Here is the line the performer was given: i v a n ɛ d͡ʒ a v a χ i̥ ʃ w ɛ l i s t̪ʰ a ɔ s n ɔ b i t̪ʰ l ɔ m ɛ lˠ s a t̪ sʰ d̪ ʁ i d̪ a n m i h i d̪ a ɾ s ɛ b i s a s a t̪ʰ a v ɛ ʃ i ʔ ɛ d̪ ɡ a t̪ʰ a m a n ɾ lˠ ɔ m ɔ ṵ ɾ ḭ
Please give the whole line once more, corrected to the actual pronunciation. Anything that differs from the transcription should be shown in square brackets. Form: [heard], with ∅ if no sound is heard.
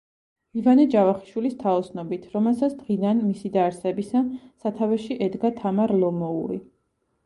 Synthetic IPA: i v a n ɛ d͡ʒ a v a χ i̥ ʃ w [i] l i s t̪ʰ a ɔ s n ɔ b i t̪ʰ [ɾ] ɔ m ɛ lˠ s a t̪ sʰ d̪ ʁ i d̪ a n m i [s] i d̪ a ɾ s ɛ b i s a s a t̪ʰ a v ɛ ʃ i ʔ ɛ d̪ ɡ a t̪ʰ a m a [∅] ɾ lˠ ɔ m ɔ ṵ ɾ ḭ